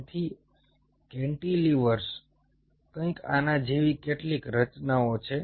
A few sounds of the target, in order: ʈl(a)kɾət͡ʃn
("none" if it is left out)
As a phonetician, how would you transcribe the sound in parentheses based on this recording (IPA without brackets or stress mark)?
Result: i